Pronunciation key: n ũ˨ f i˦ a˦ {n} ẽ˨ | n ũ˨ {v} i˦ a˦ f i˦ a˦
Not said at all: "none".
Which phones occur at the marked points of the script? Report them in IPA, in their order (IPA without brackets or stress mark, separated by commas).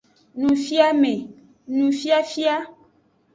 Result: m, f